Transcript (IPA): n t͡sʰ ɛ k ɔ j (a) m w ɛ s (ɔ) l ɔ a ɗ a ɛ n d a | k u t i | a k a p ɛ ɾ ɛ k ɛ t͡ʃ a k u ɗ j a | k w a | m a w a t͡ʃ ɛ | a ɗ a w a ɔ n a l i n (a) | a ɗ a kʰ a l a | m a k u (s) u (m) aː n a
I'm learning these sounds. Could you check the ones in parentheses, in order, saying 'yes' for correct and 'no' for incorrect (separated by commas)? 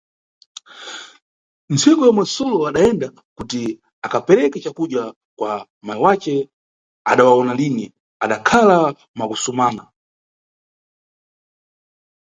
yes, yes, no, yes, yes